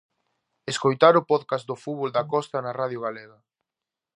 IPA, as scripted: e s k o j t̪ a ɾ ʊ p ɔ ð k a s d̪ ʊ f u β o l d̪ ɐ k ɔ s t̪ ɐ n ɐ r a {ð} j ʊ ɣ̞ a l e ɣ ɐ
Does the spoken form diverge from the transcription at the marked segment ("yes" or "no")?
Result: no